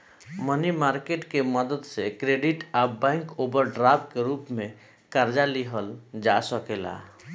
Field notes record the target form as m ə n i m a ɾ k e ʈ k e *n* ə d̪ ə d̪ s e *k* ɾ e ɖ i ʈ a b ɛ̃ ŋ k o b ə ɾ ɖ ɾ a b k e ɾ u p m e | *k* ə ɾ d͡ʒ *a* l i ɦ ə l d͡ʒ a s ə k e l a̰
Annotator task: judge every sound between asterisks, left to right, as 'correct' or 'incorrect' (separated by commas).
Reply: incorrect, correct, correct, correct